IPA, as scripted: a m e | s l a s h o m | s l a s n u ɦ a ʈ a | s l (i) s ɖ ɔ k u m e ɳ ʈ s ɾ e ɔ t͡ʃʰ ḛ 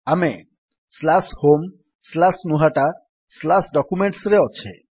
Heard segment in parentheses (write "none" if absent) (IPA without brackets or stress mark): a